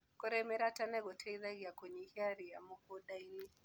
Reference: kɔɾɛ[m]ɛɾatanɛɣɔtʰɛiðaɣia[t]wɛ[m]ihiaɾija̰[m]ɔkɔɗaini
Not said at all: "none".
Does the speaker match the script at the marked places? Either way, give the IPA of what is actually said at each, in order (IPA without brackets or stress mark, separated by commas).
m, k, ɲ, m